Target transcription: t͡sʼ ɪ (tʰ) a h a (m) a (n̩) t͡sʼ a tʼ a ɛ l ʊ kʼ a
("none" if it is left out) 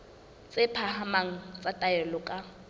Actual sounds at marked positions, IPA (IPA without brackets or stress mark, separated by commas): pʰ, m, ŋ̩